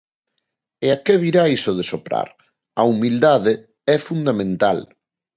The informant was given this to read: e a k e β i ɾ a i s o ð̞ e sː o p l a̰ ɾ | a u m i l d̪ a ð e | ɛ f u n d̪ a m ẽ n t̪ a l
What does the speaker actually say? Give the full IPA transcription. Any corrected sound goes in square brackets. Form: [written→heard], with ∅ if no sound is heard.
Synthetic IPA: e a k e β i ɾ a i s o ð̞ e [sː→s] o p [l→ɾ] a̰ ɾ | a u m i l d̪ a ð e | ɛ f u n d̪ a m ẽ n t̪ a l